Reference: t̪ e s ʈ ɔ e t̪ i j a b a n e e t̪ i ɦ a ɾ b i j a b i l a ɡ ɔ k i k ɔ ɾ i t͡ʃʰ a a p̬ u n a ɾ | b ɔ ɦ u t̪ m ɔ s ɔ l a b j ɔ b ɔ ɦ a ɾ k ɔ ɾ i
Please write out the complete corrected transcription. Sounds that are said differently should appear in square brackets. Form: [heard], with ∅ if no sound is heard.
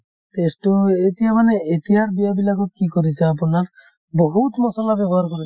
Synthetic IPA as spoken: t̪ e s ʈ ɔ e t̪ i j a [m] a n e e t̪ i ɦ a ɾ b i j a b i l a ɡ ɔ k i k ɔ ɾ i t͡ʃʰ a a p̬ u n a ɾ | b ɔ ɦ u t̪ m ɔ s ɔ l a b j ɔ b ɔ ɦ a ɾ k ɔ ɾ i

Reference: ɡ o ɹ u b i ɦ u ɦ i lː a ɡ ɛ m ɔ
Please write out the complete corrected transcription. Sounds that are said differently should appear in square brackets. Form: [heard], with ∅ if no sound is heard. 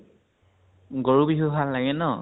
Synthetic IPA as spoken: ɡ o ɹ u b i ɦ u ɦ [a] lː a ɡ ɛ [n] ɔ

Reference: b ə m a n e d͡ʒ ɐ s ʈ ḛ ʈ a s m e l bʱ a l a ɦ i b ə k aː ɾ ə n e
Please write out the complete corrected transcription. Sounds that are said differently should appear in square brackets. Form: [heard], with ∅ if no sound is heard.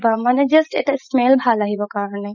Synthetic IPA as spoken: b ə m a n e d͡ʒ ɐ s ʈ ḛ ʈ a s m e l bʱ a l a ɦ i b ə k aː ɾ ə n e

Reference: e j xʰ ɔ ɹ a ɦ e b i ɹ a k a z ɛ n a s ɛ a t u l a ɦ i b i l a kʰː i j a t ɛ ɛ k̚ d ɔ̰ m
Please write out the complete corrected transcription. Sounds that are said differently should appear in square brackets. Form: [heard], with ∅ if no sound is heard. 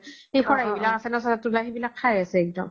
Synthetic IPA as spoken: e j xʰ ɔ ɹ a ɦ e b i [l] a k a [s] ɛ n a s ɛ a t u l a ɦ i b i l a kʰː [a] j a [s] ɛ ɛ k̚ d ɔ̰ m

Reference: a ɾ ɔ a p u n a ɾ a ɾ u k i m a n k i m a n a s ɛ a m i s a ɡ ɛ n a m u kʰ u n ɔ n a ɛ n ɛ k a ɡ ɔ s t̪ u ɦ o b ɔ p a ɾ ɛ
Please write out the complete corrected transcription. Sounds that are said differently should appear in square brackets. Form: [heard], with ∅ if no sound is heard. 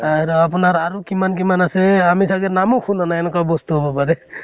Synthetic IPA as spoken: a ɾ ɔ a p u n a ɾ a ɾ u k i m a n k i m a n a s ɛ a m i s a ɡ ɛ n a m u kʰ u n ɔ n a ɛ n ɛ k a [b] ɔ s t̪ u ɦ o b ɔ p a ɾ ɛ

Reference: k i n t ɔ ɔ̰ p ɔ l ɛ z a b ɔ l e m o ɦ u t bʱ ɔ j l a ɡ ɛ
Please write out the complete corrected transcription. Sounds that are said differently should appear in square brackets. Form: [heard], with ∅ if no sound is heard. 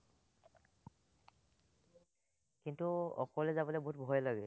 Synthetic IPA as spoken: k i n t [u] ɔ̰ [k] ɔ l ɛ z a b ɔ l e [b] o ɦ u t bʱ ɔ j l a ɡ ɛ

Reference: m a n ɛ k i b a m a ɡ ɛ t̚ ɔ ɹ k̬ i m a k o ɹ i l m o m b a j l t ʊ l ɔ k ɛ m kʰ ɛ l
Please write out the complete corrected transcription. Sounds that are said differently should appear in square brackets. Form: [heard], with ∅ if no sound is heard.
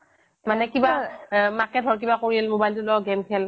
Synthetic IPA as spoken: m a n ɛ k i b a m a [k] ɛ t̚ ɔ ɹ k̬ i [b] a k o ɹ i l m o [∅] b a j l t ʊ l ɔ [ɡ] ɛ m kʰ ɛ l

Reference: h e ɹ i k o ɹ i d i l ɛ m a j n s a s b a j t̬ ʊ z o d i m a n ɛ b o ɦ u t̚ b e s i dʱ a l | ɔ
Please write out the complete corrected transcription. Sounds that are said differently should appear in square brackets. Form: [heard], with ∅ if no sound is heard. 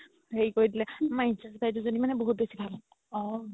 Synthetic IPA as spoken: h e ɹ i k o ɹ i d i l ɛ m a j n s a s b a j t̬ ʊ z o [n] i m a n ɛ b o ɦ u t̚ b e s i [bʱ] a l | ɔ

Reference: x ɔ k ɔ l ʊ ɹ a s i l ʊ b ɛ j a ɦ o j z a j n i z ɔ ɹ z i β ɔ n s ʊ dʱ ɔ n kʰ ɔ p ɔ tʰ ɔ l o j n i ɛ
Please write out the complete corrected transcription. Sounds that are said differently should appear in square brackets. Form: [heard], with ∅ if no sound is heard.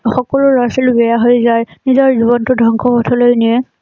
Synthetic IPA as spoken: x ɔ k ɔ l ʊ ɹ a s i l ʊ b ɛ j a ɦ o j z a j n i z ɔ ɹ z i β ɔ n [t] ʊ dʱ ɔ [ŋ] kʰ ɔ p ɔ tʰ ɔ l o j n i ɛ

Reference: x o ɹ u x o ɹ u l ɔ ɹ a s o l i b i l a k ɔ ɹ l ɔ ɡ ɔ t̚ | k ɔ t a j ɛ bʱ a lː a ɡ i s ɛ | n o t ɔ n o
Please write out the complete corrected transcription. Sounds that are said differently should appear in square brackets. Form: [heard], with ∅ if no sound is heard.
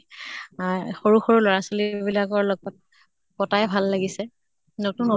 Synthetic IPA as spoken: x o ɹ u x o ɹ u l ɔ ɹ a s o l i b i l a k ɔ ɹ l ɔ ɡ ɔ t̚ | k ɔ t a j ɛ bʱ a lː a ɡ i s ɛ | n o t [u] n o

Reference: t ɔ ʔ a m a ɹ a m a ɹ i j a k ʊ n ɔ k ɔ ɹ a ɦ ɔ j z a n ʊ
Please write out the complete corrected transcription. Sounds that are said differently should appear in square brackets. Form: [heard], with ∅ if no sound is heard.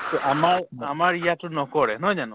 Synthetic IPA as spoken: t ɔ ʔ a m a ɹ a m a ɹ i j a [t] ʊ n ɔ k ɔ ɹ [ɛ] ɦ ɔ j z a n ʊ

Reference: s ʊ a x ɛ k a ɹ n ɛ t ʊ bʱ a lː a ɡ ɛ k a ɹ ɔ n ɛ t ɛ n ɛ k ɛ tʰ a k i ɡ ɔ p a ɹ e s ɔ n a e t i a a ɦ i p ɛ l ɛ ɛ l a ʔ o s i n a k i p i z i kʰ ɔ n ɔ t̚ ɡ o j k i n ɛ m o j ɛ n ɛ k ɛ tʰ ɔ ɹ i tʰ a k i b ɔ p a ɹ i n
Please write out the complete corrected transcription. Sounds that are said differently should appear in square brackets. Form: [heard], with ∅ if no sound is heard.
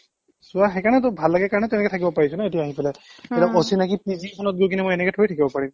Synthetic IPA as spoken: s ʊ a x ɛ k a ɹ n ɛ t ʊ bʱ a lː a ɡ ɛ k a ɹ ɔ n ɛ t ɛ n ɛ k ɛ tʰ a k i [b] ɔ p a ɹ [i] s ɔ n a e t i a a ɦ i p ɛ l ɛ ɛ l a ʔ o s i n a k i p i z i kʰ ɔ n ɔ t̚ ɡ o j k i n ɛ m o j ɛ n ɛ k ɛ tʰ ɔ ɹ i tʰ a k i b ɔ p a ɹ i [m]

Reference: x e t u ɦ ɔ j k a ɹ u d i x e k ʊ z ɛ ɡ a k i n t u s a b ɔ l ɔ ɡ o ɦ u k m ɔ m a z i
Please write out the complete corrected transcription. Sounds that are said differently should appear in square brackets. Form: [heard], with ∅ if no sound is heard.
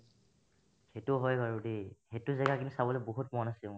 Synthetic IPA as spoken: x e t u ɦ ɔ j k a ɹ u d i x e [t] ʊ z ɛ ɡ a k i n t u s a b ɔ l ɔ [b] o ɦ u [t] m ɔ [n] a [s] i

